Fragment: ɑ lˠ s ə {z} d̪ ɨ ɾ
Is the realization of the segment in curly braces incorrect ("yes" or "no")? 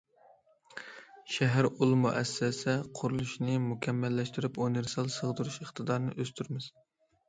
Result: yes